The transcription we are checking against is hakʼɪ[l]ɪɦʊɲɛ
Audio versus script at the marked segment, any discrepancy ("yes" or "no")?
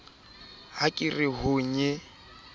yes